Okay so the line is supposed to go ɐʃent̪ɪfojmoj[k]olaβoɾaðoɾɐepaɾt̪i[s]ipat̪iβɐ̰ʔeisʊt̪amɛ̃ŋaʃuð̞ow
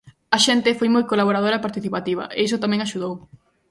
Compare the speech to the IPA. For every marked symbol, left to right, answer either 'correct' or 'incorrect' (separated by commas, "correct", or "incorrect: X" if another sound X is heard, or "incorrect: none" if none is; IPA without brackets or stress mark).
correct, incorrect: θ